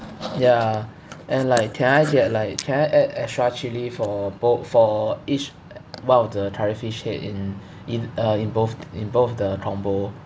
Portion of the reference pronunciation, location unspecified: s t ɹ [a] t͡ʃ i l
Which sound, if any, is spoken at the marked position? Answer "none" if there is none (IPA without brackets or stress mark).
a